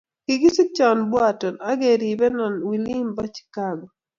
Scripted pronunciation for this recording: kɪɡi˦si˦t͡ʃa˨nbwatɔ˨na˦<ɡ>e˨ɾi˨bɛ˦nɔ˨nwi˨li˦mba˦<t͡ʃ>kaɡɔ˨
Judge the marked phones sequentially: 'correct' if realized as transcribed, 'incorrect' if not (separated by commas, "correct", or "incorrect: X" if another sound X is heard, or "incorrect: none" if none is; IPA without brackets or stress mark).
correct, correct